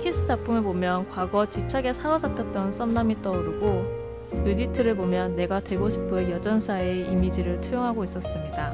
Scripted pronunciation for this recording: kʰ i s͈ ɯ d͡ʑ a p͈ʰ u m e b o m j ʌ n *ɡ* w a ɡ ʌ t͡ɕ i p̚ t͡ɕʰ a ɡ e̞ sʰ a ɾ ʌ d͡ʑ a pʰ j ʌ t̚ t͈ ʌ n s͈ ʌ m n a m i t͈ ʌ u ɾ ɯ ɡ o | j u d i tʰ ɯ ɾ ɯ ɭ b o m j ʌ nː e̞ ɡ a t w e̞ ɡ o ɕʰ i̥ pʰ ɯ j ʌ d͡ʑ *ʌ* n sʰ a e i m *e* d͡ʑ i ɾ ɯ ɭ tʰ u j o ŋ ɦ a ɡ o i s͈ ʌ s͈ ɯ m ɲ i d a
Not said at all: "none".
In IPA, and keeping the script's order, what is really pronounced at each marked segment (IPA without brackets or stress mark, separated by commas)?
k, ʌ, i